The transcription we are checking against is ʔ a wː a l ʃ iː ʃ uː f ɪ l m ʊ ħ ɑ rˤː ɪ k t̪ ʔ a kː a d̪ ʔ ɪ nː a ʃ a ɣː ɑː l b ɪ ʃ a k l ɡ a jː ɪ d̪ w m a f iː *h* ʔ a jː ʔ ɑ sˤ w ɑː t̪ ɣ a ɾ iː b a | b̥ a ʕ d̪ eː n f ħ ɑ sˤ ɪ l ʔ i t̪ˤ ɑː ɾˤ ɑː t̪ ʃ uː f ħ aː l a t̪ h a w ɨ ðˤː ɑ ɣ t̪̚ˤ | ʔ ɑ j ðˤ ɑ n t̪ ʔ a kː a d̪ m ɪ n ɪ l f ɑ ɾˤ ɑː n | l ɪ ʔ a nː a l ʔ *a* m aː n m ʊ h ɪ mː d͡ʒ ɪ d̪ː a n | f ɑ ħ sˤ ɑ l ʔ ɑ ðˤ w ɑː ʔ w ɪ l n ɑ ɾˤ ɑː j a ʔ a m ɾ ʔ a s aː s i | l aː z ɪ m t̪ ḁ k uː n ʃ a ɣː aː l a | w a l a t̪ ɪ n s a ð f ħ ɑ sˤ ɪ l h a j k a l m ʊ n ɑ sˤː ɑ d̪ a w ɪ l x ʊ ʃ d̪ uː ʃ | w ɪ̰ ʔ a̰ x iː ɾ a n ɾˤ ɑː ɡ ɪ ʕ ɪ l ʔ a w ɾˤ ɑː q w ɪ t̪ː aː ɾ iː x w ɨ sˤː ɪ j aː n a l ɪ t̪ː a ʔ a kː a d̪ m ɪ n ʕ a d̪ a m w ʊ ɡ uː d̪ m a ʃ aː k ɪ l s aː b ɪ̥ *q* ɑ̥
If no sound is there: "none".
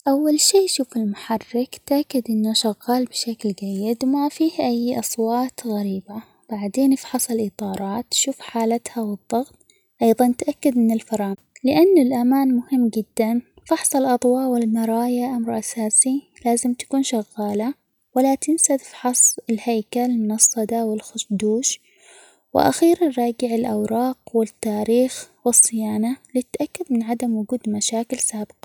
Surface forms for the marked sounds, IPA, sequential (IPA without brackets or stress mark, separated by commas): h, a, q